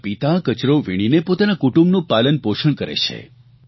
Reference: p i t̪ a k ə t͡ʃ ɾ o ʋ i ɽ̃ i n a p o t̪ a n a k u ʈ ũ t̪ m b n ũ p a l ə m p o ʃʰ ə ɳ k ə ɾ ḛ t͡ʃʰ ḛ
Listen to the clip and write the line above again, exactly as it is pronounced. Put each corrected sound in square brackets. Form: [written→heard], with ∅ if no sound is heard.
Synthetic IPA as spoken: p i t̪ a k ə t͡ʃ ɾ o ʋ i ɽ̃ i n [a→e] p o t̪ a n a k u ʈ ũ [t̪→∅] m b n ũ p a l ə [m→n] p o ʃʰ ə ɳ k ə ɾ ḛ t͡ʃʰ ḛ

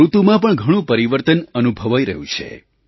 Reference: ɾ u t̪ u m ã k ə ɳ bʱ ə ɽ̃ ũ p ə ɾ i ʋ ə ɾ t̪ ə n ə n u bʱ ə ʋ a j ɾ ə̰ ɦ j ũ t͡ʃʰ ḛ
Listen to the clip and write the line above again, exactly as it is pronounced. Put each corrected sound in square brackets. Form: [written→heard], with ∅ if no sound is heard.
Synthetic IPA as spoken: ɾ u t̪ u m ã [k→p] ə ɳ [bʱ→ɡʱ] ə ɽ̃ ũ p ə ɾ i ʋ ə ɾ t̪ ə n ə n u bʱ ə ʋ a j ɾ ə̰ ɦ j ũ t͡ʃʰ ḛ

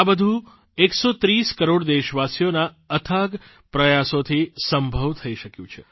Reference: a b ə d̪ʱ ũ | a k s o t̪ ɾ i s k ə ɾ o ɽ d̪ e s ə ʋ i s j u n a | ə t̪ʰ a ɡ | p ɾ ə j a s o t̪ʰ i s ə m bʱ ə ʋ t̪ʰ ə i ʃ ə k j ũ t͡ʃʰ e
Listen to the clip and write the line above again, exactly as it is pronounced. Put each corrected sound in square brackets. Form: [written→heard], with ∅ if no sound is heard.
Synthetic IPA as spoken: a b ə d̪ʱ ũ | [a→e] k s o t̪ ɾ i s k ə ɾ o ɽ d̪ e [s→ʃ] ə ʋ [i→a] s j [u→o] n a | ə t̪ʰ a ɡ | p ɾ ə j a s o t̪ʰ i s ə m bʱ ə ʋ t̪ʰ ə i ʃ ə k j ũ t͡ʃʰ e

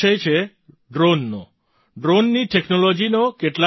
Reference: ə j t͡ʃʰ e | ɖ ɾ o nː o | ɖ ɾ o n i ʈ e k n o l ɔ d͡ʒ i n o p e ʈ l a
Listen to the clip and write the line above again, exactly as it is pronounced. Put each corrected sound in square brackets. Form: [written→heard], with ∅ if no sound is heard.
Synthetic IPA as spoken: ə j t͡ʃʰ e | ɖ ɾ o nː o | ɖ ɾ o [n→nː] i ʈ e k n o l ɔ d͡ʒ i n o [p→k] e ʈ l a

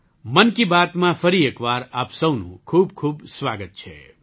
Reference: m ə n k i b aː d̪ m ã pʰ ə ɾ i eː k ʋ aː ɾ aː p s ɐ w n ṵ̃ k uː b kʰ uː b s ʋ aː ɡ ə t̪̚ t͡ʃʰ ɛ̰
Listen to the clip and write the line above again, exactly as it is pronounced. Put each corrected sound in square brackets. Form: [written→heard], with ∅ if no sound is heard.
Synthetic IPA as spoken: m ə n k i b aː [d̪→t̪] m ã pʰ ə ɾ i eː k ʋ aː ɾ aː p s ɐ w n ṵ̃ [k→kʰ] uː b kʰ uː b s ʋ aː ɡ ə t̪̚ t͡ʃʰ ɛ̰

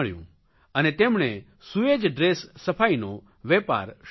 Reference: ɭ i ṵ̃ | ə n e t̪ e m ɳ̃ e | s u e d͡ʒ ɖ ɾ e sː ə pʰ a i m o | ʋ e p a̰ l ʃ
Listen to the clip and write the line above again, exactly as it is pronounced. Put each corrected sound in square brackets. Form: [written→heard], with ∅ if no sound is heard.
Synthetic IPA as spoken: ɭ [i→j] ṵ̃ | ə n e t̪ e m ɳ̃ e | s u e d͡ʒ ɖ ɾ e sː ə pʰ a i [m→n] o | ʋ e p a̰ [l→ɾ] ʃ

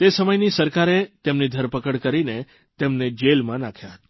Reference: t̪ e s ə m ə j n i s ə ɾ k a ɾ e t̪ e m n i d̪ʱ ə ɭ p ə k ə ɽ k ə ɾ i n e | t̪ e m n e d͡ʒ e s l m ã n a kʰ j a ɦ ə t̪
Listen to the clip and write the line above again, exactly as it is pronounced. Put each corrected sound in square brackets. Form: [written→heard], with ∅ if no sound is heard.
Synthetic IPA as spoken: t̪ e s ə m ə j n i s ə ɾ k a ɾ e t̪ e m n i d̪ʱ ə [ɭ→ɾ] p ə k ə ɽ k ə ɾ i n e | t̪ e m n e d͡ʒ e [s→∅] l m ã n a kʰ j a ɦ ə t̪

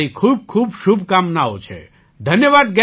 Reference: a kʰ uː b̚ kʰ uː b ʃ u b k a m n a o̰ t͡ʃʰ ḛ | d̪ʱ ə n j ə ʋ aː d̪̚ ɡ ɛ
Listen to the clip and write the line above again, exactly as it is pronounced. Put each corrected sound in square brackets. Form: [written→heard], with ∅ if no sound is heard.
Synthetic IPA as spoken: [a→i] kʰ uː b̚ kʰ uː b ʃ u b k a m n a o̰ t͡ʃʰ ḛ | d̪ʱ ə n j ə ʋ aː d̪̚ ɡ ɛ

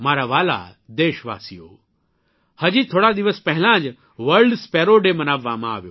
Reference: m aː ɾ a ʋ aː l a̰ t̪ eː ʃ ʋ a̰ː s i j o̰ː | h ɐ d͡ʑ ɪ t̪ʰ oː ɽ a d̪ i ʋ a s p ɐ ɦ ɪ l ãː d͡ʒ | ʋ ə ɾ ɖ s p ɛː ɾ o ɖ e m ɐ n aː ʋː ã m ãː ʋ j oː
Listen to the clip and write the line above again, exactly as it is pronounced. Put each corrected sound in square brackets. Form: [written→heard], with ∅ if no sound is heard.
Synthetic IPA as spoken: m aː ɾ a ʋ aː l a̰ [t̪→d̪] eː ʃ ʋ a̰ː s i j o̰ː | h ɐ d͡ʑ [ɪ→i] t̪ʰ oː ɽ a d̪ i ʋ [a→ə] s p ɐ ɦ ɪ l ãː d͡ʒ | ʋ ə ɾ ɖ s p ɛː ɾ o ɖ e m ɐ n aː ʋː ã m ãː ʋ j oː

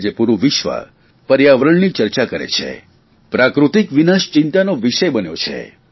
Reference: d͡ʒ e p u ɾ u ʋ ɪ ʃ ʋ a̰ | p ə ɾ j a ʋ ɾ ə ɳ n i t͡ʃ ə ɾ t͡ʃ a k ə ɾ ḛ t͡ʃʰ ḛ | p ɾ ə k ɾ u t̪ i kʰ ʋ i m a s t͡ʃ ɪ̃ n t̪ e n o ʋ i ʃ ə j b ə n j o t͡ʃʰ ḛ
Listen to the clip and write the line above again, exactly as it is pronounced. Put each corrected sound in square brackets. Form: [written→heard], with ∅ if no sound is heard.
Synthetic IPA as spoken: d͡ʒ e p u ɾ u ʋ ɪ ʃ ʋ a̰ | p ə ɾ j a ʋ ɾ ə ɳ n i t͡ʃ ə ɾ t͡ʃ a k ə ɾ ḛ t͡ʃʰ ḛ | p ɾ [ə→a] k ɾ u t̪ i [kʰ→k] ʋ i [m→n] a [s→ʃ] t͡ʃ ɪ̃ n t̪ [e→a] n o ʋ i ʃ ə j b ə n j o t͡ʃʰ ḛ

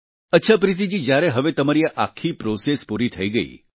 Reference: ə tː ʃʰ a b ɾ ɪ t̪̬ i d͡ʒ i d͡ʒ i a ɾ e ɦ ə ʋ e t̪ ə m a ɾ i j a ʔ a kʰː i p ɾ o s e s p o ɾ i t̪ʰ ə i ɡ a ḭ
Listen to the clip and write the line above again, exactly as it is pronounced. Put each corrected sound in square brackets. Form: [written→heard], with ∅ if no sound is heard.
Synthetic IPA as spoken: ə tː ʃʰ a [b→p] ɾ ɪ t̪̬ i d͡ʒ i d͡ʒ [i→j] a ɾ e ɦ ə ʋ e t̪ ə m a ɾ i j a ʔ a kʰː i p ɾ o s e s p [o→u] ɾ i t̪ʰ ə i ɡ [a→ə] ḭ

